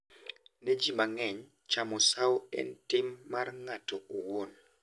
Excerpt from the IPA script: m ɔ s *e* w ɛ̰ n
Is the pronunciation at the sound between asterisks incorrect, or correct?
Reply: incorrect